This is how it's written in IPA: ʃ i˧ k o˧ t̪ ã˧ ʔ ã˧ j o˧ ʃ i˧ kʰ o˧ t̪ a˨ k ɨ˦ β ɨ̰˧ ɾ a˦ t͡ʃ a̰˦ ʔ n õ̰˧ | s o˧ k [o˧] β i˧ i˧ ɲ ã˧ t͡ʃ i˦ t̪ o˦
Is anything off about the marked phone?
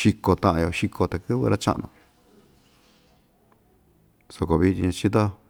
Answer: no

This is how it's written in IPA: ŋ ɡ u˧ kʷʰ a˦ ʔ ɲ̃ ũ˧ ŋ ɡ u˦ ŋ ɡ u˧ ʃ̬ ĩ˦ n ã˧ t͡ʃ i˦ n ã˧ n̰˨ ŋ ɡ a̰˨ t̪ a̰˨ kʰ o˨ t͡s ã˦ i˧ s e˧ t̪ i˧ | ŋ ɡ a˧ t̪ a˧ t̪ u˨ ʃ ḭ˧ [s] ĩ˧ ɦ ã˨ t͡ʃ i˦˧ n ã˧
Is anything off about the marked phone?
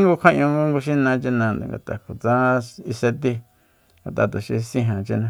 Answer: no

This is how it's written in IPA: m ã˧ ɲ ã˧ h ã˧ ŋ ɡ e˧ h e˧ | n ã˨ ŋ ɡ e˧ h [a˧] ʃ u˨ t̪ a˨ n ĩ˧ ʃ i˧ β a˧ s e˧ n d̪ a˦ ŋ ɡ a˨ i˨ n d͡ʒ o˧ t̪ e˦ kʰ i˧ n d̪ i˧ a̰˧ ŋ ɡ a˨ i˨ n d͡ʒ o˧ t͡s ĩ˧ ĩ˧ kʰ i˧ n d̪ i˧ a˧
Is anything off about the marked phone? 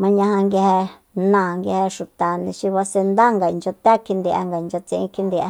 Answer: yes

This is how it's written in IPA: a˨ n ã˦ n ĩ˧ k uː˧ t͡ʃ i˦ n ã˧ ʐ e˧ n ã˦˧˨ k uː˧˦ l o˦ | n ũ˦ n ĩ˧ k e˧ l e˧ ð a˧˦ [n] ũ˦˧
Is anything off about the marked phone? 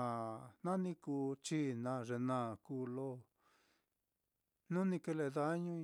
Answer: yes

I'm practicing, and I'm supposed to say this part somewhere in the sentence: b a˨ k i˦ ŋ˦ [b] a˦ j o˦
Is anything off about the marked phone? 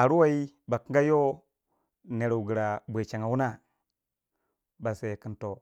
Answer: yes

